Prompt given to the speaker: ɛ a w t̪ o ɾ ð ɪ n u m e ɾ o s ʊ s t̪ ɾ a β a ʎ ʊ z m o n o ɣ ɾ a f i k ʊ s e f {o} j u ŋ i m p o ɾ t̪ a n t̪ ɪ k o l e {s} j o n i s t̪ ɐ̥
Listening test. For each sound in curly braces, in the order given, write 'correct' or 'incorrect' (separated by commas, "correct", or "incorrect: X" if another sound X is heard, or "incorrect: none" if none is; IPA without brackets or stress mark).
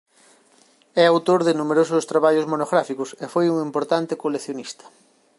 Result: correct, incorrect: θ